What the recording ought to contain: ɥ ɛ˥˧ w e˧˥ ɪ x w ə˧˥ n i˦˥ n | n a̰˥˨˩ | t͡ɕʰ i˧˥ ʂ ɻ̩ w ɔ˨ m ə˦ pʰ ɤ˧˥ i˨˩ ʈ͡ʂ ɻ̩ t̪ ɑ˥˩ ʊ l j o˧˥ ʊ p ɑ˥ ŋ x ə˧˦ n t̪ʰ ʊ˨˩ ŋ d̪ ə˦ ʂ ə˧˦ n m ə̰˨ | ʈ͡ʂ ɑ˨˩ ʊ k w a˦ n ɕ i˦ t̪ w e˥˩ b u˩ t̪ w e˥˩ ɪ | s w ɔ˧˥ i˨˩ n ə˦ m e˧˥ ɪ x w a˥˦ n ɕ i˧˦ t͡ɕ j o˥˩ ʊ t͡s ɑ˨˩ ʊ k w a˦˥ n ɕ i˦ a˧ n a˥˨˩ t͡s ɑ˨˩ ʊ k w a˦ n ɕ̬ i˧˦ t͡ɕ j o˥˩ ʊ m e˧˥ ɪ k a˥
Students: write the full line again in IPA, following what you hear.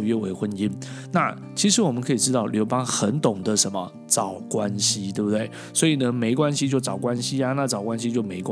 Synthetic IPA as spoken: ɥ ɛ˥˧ w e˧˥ ɪ x w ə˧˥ n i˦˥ n | n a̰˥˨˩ | t͡ɕʰ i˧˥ ʂ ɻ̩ w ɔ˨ m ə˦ kʰ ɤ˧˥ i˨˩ ʈ͡ʂ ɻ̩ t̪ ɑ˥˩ ʊ l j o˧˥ ʊ p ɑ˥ ŋ x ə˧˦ n t̪ ʊ˨˩ ŋ d̪ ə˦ ʂ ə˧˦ n m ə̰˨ | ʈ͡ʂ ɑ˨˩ ʊ k w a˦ n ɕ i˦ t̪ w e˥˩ b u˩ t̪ w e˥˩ ɪ | s w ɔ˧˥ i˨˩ n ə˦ m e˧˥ ɪ k w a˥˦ n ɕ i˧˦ t͡ɕ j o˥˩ ʊ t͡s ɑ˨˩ ʊ k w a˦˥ n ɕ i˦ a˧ n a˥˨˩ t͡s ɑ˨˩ ʊ k w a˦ n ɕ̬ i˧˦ t͡ɕ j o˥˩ ʊ m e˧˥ ɪ k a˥